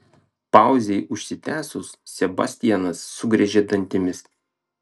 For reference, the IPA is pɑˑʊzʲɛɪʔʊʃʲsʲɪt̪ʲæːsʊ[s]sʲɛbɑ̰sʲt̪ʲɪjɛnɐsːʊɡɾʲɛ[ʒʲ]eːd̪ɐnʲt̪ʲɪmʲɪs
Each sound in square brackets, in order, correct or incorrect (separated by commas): correct, correct